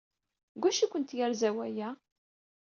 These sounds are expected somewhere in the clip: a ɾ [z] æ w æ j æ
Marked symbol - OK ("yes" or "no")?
yes